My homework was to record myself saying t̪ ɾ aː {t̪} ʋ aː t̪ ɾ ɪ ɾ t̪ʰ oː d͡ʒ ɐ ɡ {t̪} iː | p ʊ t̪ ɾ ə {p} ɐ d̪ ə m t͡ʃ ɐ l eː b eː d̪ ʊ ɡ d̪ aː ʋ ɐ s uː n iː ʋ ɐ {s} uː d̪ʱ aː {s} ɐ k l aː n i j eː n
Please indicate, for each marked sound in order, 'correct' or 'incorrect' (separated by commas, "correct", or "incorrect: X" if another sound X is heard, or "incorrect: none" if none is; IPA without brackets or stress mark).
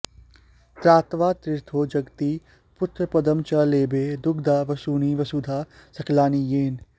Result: correct, correct, correct, correct, correct